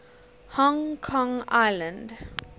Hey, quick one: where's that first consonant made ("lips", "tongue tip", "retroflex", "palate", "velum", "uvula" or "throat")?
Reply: throat